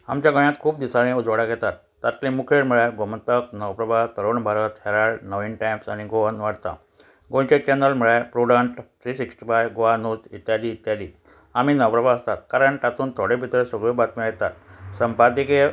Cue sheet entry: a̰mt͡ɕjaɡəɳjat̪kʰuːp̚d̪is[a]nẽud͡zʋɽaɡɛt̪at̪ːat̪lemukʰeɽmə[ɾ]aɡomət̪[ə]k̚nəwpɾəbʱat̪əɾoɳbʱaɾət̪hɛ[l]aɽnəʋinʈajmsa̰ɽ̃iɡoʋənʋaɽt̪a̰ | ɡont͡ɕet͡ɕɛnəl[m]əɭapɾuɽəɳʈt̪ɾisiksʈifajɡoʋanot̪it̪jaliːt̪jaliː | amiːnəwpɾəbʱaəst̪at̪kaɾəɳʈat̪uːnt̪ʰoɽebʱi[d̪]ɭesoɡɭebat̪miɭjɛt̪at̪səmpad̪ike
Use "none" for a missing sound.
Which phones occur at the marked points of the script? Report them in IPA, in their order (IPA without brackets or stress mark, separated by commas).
a, ɭ, ə, ɾ, m, t̪